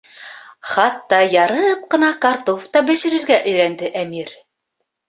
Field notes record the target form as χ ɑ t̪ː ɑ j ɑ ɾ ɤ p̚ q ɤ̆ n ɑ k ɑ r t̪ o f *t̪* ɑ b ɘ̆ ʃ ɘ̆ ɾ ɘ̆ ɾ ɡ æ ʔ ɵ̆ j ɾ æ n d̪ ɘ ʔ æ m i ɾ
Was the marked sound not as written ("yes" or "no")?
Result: no